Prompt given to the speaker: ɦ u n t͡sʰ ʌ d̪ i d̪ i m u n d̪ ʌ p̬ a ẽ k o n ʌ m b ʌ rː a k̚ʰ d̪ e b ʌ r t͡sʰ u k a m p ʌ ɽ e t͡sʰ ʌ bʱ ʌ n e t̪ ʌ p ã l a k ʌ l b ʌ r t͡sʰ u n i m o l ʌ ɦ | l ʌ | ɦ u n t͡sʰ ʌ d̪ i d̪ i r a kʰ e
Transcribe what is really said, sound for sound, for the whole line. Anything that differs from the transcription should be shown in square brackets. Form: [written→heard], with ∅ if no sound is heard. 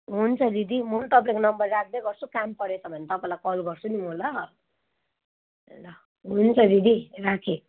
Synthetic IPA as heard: ɦ u n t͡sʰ ʌ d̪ i d̪ i m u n [d̪→t̪] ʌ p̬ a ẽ k o n ʌ m b ʌ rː a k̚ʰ d̪ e [b→ɡ] ʌ r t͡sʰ u k a m p ʌ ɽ e t͡sʰ ʌ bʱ ʌ n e t̪ ʌ p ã l a k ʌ l [b→ɡ] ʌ r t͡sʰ u n i m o l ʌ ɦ | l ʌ | ɦ u n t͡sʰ ʌ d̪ i d̪ i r a kʰ e